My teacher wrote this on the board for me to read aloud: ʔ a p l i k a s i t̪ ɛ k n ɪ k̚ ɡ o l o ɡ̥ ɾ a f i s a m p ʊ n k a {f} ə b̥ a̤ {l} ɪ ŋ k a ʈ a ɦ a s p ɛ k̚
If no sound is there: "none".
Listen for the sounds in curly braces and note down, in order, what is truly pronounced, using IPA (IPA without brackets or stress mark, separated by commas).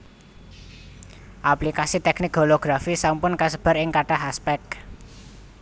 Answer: s, ɾ